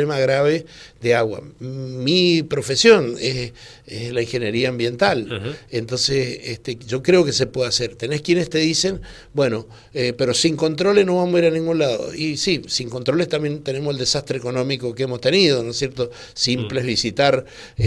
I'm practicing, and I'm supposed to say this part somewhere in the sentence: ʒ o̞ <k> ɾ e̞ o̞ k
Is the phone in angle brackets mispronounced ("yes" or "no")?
no